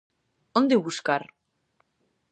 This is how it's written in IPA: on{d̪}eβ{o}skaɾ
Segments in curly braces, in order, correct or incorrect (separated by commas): correct, incorrect